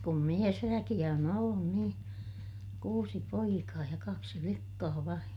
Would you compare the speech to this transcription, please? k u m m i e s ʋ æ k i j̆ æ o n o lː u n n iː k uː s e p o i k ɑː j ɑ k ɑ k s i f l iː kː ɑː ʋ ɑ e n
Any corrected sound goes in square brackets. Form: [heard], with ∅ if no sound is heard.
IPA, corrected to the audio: k u m m i e s ʋ æ k i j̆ æ o n o lː u n n iː k uː s [i] p o i k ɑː j ɑ k ɑ k s i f l [i] kː ɑː ʋ ɑ [i] n